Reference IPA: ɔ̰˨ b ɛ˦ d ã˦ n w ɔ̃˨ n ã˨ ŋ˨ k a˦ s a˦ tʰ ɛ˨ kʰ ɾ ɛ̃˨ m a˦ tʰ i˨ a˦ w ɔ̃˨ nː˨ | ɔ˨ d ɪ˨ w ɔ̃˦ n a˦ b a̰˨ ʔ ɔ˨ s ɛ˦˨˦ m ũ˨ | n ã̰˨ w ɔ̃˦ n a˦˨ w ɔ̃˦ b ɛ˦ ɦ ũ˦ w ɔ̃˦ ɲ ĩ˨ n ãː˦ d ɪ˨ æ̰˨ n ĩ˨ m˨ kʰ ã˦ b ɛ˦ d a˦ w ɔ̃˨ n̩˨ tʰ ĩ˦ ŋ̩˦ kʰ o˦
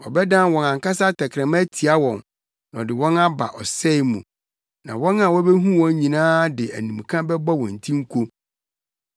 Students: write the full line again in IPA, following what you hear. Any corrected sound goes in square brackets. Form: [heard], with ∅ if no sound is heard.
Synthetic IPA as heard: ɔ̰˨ b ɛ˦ d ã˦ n w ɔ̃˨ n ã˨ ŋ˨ k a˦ s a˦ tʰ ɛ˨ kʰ ɾ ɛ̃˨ m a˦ tʰ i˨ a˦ w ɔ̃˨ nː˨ | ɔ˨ d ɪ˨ w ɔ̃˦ n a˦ b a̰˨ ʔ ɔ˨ s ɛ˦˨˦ m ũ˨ | n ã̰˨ w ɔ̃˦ n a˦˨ w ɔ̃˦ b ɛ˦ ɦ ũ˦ w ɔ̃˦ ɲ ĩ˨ n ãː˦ d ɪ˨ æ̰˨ n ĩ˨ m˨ kʰ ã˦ b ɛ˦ [b] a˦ w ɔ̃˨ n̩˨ tʰ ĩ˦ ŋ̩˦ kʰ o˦